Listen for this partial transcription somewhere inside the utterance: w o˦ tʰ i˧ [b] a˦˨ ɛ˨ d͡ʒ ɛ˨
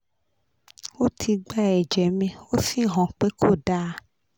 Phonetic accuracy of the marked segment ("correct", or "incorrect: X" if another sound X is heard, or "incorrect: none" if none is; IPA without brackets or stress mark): incorrect: ɡ͡b